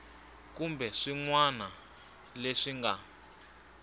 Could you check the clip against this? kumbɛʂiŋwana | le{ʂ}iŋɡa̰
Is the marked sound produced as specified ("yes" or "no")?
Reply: yes